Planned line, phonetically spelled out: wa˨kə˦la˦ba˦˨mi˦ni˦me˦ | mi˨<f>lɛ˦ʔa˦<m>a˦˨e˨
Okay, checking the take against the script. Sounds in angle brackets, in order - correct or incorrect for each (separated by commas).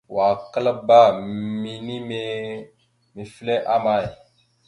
correct, correct